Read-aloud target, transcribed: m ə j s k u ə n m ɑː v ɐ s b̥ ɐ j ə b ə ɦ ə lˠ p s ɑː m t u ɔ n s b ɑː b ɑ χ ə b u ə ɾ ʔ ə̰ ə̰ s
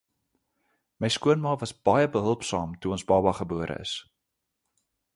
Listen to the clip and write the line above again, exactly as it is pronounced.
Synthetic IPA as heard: m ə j s k u ə n m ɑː v ɐ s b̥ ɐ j ə b ə ɦ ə lˠ p s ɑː m t u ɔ n s b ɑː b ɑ χ ə b u ə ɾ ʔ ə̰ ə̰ s